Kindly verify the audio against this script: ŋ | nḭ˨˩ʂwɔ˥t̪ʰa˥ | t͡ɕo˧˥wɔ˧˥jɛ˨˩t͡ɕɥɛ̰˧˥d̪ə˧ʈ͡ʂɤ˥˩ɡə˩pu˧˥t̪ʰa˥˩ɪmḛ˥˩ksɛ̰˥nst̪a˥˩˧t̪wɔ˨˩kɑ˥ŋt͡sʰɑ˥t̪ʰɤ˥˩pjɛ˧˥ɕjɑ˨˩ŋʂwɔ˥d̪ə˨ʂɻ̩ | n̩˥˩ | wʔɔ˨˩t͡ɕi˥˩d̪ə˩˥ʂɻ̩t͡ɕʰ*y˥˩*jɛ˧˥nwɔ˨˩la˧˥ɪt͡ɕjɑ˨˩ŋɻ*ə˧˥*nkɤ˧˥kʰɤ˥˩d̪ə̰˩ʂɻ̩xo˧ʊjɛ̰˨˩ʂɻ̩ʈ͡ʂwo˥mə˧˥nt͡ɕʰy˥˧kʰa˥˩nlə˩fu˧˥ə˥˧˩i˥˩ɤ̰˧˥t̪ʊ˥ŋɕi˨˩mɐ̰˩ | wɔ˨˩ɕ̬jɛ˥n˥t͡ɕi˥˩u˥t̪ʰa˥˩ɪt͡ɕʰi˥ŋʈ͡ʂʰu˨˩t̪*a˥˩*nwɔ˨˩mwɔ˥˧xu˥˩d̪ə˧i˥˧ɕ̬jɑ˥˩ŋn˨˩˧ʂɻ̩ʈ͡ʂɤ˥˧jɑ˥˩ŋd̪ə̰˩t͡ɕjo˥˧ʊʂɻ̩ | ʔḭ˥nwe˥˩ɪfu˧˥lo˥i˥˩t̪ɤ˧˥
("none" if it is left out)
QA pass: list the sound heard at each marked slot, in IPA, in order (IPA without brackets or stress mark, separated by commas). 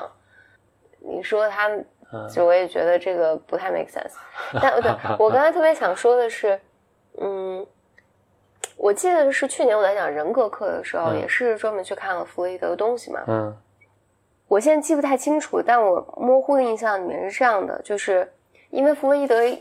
y˥˩, ə˧˥, a˥˩